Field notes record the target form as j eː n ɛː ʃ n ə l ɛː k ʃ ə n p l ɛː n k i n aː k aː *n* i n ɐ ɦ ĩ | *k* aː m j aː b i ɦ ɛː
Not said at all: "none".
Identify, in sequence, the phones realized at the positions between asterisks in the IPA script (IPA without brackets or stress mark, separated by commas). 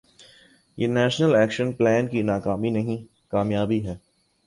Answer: m, k